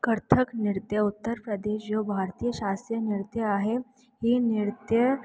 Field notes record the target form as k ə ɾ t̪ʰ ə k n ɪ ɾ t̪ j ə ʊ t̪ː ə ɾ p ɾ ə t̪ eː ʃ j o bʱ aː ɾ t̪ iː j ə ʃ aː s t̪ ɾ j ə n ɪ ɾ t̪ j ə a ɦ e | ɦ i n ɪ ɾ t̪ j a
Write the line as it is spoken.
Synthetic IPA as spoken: k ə ɾ t̪ʰ ə k n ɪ ɾ t̪ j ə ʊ t̪ː ə ɾ p ɾ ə d̪ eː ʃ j o bʱ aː ɾ t̪ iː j ə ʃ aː s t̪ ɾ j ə n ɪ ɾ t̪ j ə a ɦ e | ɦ i n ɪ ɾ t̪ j ə